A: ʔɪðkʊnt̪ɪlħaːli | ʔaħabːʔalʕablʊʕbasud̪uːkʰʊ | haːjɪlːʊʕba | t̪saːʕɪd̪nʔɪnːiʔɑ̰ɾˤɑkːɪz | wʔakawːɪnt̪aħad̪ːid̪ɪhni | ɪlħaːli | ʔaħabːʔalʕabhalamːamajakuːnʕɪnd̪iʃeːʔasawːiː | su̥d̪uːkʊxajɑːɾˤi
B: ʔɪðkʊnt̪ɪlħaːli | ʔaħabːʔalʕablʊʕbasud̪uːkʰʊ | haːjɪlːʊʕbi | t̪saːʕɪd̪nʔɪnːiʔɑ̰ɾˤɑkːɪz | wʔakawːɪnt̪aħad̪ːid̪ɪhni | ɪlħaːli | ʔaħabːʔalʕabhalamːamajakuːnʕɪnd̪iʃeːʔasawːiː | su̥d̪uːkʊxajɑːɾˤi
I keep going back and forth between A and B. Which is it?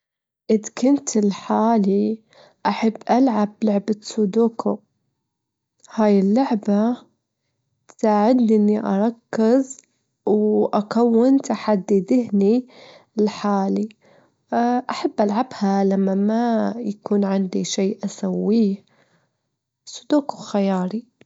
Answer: A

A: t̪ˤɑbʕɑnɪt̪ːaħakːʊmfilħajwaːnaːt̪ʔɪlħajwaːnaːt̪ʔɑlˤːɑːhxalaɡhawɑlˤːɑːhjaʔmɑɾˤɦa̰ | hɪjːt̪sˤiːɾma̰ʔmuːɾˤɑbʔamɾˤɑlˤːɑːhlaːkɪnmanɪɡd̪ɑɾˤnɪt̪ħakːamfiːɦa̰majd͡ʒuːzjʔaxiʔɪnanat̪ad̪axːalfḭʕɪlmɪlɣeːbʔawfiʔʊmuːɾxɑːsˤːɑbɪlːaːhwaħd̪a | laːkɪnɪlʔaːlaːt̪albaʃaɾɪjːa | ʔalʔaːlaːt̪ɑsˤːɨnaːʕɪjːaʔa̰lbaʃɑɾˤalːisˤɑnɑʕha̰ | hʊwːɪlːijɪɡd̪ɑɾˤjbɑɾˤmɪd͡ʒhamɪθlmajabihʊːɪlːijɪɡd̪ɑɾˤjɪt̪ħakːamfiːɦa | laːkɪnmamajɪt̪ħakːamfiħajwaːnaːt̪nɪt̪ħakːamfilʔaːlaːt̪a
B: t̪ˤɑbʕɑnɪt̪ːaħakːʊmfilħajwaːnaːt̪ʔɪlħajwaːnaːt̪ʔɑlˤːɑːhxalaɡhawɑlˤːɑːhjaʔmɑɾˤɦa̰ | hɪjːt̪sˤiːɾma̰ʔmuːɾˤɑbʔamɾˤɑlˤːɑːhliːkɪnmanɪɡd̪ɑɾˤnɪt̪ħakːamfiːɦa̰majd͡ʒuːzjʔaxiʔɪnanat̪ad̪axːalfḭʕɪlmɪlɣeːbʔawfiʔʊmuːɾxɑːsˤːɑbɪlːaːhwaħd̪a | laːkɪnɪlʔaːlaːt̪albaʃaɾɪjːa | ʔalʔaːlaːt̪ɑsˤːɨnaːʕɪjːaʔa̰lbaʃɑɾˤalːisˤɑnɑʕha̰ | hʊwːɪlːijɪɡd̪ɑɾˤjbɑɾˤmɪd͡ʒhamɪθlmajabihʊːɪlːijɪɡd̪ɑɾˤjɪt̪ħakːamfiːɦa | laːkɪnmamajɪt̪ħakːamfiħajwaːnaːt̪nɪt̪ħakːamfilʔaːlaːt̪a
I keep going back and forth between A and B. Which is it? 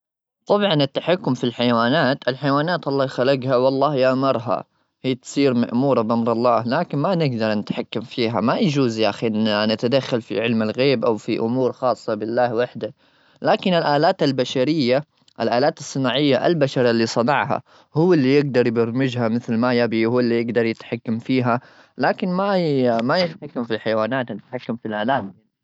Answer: A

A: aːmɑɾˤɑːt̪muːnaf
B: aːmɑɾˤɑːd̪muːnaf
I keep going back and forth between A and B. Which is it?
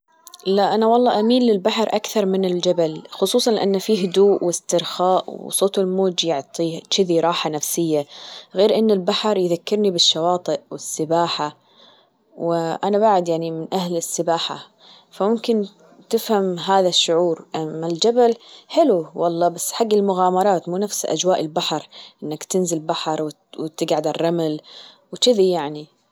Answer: A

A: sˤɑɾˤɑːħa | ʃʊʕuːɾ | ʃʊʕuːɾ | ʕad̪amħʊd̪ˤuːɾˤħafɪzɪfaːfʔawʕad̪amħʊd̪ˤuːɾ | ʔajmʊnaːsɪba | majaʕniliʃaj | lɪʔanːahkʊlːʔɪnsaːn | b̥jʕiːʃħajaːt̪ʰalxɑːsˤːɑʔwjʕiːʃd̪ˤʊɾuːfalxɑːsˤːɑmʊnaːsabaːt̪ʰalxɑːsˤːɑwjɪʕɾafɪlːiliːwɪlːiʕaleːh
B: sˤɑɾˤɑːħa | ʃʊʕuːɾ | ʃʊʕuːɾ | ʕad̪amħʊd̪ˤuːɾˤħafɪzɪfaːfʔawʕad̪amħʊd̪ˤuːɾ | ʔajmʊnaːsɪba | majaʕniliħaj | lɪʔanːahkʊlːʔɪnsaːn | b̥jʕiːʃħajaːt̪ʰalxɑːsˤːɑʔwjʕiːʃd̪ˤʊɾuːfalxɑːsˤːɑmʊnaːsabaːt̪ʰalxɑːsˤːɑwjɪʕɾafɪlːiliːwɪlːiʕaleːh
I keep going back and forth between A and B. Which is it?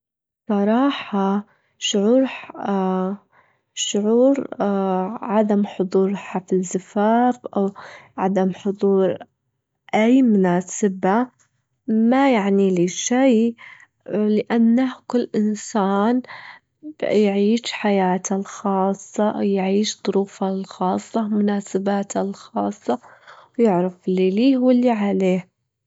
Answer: A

